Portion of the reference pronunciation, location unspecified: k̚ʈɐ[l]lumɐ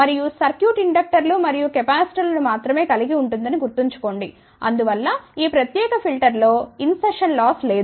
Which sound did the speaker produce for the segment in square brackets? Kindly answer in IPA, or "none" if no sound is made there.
ɾ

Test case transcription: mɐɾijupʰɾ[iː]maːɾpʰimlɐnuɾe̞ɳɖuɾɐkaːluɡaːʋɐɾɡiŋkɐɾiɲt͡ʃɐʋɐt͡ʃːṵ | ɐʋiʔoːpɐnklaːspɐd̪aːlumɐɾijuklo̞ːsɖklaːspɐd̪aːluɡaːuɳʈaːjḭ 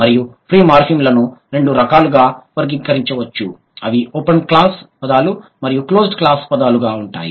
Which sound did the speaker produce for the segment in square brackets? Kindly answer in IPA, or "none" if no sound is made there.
iː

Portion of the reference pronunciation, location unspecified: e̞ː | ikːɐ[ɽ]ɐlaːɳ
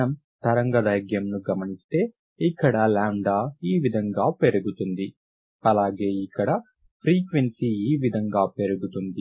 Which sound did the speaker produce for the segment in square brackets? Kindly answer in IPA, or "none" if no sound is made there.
ɽ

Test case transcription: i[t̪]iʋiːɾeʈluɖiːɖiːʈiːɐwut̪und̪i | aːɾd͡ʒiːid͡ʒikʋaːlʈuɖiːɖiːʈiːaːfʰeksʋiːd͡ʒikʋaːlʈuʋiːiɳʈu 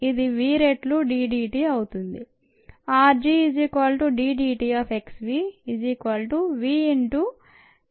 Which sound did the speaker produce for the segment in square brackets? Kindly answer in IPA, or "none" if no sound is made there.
d̪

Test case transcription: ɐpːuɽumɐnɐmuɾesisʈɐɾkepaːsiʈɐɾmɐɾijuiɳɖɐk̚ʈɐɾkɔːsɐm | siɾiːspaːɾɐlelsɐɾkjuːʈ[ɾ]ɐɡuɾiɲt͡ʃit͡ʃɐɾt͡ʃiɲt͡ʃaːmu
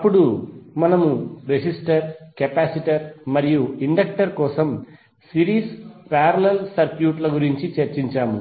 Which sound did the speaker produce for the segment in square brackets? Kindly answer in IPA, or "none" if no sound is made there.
l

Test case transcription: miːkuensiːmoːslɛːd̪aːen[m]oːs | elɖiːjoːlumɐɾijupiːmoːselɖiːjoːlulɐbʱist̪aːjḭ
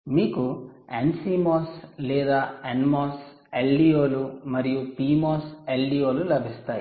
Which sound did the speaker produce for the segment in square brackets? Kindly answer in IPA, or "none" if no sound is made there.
m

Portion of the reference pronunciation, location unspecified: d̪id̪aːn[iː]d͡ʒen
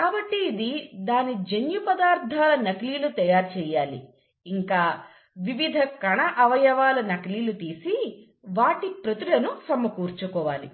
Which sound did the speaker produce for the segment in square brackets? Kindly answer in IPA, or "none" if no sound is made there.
i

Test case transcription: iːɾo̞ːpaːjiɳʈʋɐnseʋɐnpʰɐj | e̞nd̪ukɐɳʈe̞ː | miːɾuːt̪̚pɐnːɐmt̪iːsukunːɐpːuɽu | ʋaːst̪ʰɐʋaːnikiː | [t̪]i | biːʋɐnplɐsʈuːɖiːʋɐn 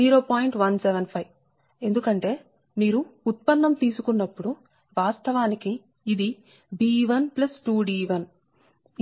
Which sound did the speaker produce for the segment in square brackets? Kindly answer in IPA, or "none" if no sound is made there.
d̪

